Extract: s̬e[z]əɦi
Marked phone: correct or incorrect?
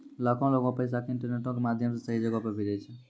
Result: incorrect